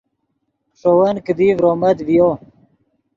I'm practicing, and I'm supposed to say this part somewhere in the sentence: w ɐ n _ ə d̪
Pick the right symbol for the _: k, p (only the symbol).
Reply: k